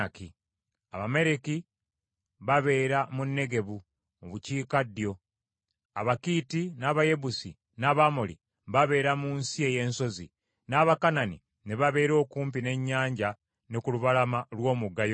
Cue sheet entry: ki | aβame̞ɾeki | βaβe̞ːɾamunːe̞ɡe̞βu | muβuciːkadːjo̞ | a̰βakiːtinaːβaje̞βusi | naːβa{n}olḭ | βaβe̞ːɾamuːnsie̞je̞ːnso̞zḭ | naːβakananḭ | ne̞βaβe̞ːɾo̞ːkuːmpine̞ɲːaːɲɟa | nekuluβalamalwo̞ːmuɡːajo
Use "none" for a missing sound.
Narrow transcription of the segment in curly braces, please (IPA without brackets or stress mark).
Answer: m